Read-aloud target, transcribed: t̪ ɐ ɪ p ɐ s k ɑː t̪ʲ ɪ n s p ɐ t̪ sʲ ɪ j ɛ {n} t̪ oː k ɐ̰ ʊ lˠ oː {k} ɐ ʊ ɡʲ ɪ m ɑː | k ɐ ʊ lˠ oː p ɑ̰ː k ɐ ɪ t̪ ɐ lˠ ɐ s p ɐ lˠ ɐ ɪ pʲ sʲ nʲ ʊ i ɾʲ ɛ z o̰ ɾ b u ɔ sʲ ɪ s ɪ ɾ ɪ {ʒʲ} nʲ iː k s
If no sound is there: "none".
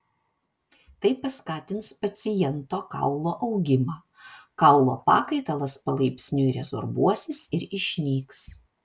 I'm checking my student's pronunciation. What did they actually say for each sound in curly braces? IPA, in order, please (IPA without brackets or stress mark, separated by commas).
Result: n, ʔ, ʃʲ